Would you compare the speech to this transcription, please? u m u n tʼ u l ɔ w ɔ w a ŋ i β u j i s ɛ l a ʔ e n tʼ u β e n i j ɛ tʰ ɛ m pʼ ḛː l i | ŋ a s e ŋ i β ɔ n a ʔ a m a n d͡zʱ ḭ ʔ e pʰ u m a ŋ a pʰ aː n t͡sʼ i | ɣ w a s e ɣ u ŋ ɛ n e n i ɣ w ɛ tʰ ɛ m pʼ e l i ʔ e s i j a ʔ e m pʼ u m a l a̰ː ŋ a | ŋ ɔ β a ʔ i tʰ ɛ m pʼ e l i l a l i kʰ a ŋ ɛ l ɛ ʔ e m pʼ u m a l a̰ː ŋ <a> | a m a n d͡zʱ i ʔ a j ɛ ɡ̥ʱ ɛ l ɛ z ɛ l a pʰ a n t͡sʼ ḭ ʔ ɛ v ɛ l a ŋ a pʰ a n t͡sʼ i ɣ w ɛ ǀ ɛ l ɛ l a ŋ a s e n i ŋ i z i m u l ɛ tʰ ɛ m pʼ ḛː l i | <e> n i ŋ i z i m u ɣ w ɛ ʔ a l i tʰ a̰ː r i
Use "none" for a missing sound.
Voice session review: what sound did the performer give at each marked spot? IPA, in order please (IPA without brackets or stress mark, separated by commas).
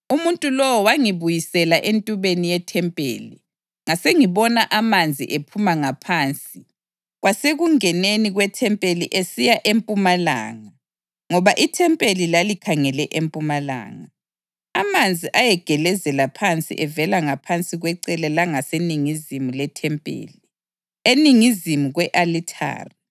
a, e